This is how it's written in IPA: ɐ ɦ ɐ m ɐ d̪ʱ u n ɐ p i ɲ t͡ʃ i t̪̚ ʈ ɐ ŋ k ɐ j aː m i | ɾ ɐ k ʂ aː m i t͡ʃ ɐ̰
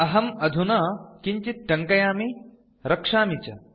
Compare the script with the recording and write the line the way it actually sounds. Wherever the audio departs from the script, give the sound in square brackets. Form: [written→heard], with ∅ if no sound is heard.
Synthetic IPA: ɐ ɦ ɐ m ɐ d̪ʱ u n ɐ [p→k] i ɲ t͡ʃ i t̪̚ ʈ ɐ ŋ k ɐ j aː m i | ɾ ɐ k ʂ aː m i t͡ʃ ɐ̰